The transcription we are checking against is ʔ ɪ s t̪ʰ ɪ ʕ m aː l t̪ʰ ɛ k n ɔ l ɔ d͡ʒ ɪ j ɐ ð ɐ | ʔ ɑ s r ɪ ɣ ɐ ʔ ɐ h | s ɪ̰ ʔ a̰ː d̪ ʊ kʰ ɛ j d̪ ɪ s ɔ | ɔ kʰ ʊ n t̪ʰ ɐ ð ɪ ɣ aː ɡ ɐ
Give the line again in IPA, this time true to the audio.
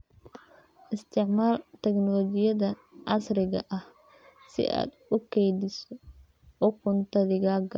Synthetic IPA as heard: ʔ ɪ s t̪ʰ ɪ ʕ m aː l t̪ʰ ɛ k n ɔ l ɔ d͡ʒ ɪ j ɐ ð ɐ | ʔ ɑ s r ɪ ɣ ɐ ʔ ɐ h | s ɪ̰ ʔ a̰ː d̪ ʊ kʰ ɛ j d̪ ɪ s ɔ | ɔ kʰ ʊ n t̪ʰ ɐ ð ɪ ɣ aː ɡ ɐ